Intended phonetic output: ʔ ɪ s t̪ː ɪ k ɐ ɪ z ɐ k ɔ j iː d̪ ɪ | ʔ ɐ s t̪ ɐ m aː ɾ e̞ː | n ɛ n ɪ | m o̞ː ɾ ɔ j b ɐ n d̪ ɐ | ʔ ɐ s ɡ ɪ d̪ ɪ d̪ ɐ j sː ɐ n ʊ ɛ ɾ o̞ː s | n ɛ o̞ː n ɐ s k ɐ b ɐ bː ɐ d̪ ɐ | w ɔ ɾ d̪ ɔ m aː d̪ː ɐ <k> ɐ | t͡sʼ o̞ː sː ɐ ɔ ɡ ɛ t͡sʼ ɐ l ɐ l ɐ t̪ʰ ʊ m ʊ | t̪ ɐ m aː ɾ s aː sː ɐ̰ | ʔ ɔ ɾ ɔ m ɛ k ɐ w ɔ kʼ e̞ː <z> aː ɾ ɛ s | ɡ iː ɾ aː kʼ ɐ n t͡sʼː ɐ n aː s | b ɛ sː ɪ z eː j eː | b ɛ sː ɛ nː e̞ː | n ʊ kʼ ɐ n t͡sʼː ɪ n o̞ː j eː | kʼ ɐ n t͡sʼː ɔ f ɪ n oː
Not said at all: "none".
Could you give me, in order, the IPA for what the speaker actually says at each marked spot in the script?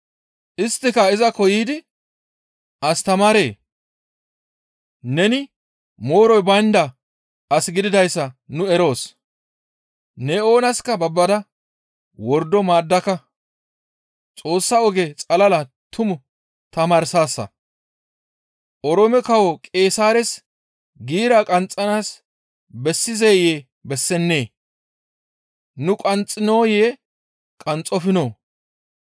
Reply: k, s

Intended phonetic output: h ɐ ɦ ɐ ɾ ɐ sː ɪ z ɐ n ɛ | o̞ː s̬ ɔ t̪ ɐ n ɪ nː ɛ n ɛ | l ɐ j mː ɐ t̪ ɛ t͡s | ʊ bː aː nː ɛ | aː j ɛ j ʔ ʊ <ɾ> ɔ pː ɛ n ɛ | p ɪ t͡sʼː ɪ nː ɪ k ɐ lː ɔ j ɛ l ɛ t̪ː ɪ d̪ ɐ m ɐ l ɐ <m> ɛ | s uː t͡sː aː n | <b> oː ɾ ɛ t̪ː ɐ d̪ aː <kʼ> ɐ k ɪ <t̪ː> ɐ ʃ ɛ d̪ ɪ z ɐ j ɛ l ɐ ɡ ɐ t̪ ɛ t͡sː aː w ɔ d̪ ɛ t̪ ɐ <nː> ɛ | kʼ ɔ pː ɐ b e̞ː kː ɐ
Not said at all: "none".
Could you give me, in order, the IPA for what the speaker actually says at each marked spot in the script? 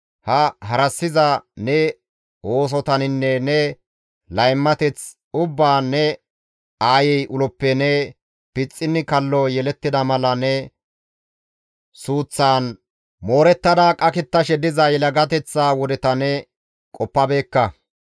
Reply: l, n, m, kʼ, t̪ː, n

